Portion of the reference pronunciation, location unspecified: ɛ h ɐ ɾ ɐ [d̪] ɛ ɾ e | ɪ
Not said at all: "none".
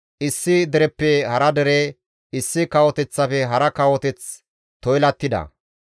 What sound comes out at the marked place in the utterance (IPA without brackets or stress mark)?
d̪